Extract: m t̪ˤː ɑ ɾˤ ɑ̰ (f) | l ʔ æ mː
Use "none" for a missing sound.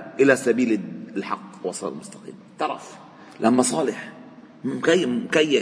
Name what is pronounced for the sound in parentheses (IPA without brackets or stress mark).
f